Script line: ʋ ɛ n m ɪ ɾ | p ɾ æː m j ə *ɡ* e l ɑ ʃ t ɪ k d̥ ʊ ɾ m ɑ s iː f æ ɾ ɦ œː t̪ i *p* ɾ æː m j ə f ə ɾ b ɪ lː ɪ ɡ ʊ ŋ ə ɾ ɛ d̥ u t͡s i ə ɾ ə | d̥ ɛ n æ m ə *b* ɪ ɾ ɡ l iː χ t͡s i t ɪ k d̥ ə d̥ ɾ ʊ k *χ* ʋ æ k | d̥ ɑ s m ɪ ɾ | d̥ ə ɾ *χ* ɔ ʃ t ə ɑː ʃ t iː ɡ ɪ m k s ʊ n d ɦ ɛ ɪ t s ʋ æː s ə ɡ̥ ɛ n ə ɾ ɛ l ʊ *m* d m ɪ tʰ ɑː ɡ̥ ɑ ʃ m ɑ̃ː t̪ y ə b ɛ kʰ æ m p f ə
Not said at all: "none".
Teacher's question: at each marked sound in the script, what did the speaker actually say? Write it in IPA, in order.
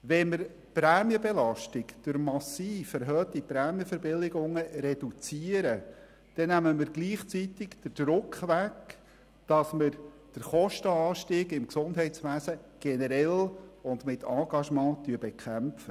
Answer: b, p, m, χ, χ, n

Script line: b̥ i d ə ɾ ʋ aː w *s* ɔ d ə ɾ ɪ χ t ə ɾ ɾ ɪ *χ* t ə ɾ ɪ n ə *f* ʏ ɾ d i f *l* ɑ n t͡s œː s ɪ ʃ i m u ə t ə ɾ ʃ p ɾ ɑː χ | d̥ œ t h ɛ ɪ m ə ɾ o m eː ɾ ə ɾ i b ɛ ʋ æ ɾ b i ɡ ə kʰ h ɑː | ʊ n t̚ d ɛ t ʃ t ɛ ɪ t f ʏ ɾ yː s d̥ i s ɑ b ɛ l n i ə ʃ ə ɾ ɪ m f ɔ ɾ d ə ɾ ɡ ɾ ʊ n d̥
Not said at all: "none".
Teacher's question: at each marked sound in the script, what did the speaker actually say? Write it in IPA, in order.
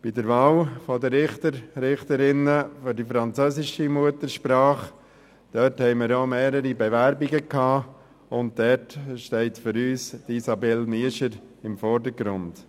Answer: f, χ, f, ɾ

